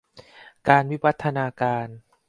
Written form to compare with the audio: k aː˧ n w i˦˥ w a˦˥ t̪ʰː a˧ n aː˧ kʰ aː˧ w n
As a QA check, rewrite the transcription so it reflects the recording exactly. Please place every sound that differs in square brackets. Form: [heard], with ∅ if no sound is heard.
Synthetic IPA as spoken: k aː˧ n w i˦˥ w a˦˥ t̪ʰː a˧ n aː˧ [k] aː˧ [∅] n